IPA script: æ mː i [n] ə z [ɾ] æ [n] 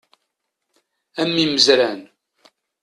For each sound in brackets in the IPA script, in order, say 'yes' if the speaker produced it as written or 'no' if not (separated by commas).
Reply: no, yes, yes